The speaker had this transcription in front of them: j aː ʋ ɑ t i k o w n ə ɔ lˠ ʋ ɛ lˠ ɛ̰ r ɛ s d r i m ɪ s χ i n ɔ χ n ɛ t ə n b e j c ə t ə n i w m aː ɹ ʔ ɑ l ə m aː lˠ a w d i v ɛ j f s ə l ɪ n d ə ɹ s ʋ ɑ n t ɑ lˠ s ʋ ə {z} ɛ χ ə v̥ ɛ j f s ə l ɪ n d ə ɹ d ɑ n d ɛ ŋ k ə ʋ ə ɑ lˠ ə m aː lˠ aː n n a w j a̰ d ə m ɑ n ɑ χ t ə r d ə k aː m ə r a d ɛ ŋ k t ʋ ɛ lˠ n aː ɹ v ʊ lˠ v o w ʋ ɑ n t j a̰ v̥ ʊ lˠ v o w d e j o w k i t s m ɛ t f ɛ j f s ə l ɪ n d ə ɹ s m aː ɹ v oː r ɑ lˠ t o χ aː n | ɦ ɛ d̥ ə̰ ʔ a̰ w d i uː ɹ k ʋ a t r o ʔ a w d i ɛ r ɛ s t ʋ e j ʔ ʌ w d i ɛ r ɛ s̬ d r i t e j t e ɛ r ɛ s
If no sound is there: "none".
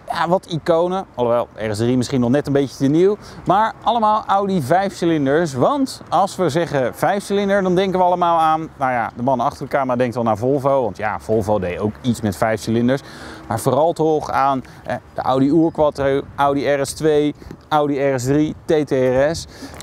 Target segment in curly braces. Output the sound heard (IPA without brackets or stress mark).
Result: z